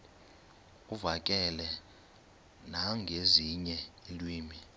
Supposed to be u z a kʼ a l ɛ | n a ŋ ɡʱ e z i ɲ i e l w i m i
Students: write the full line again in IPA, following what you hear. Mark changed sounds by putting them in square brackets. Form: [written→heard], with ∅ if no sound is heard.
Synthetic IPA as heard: u [z→v] a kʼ [a→ɛ] l ɛ | n a ŋ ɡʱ e z i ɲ [i→ɛ] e l w [i→iː] m i